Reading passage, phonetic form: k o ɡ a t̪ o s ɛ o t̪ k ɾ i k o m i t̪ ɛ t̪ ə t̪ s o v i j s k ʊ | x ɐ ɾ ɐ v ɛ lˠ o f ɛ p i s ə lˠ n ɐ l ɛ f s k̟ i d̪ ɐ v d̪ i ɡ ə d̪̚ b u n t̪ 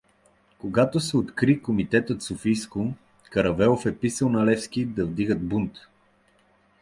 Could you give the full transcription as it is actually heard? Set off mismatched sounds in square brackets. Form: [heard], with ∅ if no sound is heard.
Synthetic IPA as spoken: k o ɡ a t̪ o s ɛ o t̪ k ɾ i k o m i t̪ ɛ t̪ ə t̪ s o [f] i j s k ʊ | [k] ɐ ɾ ɐ v ɛ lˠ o f ɛ p i s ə lˠ n ɐ l ɛ f s k̟ i d̪ ɐ v d̪ i ɡ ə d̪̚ b u n t̪

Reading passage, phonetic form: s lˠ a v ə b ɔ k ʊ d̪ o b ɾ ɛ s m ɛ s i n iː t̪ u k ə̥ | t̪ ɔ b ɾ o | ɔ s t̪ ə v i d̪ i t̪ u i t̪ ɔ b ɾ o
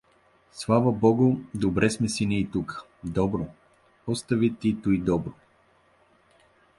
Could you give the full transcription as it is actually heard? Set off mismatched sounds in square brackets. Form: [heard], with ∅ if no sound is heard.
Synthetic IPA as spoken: s lˠ a v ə b ɔ [ɡ] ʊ d̪ o b ɾ ɛ s m ɛ s i n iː t̪ u k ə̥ | [d̪] ɔ b ɾ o | ɔ s t̪ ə v i [t̪] i t̪ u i [d̪] ɔ b ɾ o

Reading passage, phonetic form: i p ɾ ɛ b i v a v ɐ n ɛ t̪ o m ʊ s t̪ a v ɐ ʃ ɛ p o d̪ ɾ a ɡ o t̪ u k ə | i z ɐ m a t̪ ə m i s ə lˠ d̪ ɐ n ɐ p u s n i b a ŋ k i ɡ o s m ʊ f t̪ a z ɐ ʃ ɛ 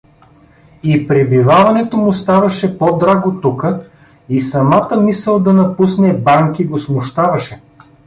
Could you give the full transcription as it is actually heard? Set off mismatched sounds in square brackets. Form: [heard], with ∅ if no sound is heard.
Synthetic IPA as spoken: i p ɾ ɛ b i v a v ɐ n ɛ t̪ o m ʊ s t̪ a v ɐ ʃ ɛ p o d̪ ɾ a ɡ o t̪ u k ə | i [s] ɐ m a t̪ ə m i s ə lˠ d̪ ɐ n ɐ p u s n [ɛ] b a ŋ k i ɡ o s m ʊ [ʃ] t̪ a [v] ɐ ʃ ɛ

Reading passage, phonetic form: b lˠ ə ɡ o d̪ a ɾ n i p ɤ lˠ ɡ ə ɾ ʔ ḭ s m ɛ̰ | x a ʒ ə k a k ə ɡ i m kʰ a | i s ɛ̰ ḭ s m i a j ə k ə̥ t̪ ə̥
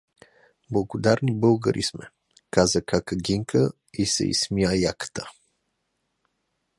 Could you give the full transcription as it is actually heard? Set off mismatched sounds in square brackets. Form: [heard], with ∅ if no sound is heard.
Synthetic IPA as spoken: b lˠ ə ɡ o d̪ a ɾ n i [b] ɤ lˠ ɡ ə ɾ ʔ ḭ s m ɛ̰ | [k] a [z] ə k a k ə ɡ i [ŋ] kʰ [ə] | i s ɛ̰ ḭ s m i a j [a] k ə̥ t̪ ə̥

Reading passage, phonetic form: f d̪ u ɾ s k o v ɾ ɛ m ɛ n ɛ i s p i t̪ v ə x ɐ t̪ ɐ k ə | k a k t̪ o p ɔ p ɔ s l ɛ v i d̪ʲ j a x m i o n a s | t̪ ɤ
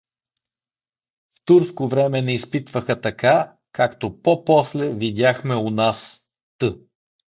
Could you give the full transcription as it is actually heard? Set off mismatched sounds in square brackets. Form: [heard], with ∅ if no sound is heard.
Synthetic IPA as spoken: f [t̪] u ɾ s k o v ɾ ɛ m ɛ n ɛ i s p i t̪ v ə x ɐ t̪ ɐ k [a] | k a k t̪ o p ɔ p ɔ s l ɛ v i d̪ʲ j a x m [ɛ] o n a s | t̪ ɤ

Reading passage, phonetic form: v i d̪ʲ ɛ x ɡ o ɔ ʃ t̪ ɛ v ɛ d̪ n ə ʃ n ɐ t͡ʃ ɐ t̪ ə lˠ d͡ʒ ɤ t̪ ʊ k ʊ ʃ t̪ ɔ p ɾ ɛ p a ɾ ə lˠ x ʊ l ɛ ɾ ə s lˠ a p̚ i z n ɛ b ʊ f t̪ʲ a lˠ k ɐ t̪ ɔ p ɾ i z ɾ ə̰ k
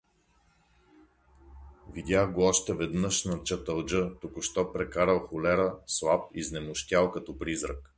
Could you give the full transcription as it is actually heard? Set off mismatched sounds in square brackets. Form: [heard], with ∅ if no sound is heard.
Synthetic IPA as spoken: v i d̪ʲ [a] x ɡ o ɔ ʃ t̪ ɛ v ɛ d̪ n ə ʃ n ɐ t͡ʃ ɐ t̪ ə lˠ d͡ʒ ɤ t̪ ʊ k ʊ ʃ t̪ ɔ p ɾ ɛ [k] a ɾ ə lˠ x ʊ l ɛ ɾ ə s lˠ a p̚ i z n ɛ [m] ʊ [ʃ] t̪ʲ a lˠ k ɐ t̪ ɔ p ɾ i z ɾ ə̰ k

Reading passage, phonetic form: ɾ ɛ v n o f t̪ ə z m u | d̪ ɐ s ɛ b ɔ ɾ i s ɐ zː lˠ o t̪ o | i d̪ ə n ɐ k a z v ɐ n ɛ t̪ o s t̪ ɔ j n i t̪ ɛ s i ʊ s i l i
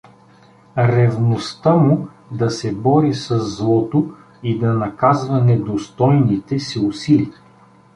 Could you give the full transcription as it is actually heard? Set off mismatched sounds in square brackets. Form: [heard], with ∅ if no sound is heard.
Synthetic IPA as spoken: ɾ ɛ v n o [s] t̪ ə [∅] m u | d̪ ɐ s ɛ b ɔ ɾ i s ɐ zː lˠ [ɔ] t̪ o | i d̪ [ɐ] n ɐ k a z v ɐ n ɛ [d̪] o s t̪ ɔ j n i t̪ ɛ s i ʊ s i l i

